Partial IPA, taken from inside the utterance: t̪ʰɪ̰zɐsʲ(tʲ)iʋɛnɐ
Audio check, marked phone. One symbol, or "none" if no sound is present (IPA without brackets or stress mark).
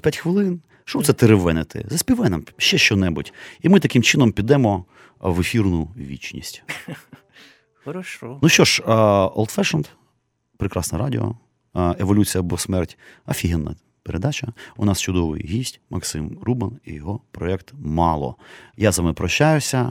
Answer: pʲ